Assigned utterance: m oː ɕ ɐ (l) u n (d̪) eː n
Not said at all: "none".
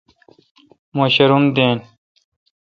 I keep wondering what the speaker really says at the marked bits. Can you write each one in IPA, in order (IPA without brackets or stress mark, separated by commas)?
ɾ, d̪